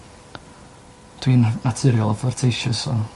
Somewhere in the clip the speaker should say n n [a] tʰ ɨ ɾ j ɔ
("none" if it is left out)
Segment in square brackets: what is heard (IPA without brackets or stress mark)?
a